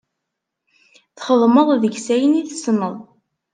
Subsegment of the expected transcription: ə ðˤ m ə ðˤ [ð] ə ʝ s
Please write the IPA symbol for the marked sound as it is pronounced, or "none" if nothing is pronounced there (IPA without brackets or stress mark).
ð